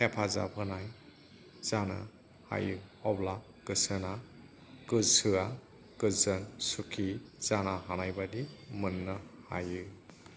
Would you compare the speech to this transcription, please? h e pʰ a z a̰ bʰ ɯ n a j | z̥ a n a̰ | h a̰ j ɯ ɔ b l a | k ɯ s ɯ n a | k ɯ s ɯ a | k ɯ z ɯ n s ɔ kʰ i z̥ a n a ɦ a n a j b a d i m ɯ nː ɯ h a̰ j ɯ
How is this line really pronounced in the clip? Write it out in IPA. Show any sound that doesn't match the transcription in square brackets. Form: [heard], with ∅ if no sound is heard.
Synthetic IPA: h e pʰ a z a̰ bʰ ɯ n a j | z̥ a n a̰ | h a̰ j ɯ ɔ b l a | k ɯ s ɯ n a | k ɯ s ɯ a | k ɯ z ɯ n s [u] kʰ i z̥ a n a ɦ a n a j b a d i m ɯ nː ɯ h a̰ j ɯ